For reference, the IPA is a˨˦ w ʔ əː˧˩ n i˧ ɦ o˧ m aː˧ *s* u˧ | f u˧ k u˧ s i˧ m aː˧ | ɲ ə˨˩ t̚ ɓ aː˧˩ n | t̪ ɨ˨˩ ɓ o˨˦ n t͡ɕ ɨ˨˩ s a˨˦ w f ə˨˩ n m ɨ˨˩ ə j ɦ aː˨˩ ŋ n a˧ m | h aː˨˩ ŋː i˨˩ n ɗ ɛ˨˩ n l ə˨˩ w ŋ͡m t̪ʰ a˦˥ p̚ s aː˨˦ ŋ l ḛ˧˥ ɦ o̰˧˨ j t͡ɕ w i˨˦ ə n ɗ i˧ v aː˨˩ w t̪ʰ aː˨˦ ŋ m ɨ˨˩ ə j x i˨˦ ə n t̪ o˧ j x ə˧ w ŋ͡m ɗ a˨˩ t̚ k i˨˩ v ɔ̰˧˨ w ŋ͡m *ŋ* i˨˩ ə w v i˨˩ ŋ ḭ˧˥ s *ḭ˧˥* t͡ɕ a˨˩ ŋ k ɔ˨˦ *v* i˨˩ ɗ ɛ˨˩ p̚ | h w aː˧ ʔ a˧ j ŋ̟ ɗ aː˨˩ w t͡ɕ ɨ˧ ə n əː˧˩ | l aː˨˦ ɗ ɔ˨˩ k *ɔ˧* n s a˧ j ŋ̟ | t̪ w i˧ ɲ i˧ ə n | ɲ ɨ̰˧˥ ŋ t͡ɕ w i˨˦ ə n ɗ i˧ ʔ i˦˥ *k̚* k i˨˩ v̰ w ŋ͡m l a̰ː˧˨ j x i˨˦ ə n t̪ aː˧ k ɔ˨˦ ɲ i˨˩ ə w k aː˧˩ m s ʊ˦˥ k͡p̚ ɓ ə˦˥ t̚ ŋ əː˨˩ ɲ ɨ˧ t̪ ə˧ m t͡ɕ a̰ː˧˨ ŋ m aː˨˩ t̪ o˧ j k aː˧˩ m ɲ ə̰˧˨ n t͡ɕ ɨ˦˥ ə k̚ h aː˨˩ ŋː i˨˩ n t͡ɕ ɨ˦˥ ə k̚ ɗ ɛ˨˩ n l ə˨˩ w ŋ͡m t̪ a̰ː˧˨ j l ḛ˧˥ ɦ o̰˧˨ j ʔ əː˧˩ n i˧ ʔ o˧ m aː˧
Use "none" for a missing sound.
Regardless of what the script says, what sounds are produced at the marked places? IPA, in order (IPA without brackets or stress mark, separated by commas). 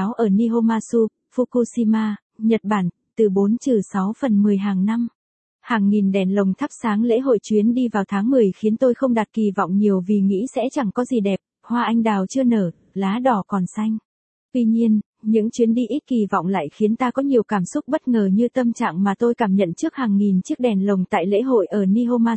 s, ɲ, ɛ̰˧˥, z, ɔ˨˩, t̚